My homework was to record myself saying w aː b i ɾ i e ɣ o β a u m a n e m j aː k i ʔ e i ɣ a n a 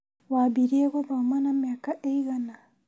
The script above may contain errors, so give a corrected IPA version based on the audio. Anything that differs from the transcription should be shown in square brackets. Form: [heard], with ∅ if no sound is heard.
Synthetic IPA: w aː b i ɾ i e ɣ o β a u m a n [a] m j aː k [a] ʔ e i ɣ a n a